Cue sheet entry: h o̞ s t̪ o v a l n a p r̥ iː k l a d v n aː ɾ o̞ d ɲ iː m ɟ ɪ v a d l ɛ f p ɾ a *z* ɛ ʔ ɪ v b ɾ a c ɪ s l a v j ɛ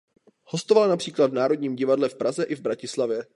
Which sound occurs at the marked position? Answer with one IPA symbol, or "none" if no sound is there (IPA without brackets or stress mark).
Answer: z